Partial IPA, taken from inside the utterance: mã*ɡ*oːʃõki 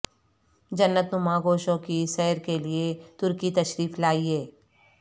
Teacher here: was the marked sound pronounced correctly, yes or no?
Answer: yes